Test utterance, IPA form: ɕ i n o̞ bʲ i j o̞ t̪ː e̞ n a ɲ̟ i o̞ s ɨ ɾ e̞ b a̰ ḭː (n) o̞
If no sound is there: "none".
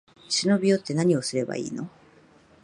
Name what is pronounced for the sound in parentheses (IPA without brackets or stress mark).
n